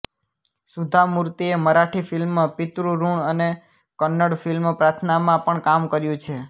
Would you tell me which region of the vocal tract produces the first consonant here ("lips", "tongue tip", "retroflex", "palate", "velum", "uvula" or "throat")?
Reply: tongue tip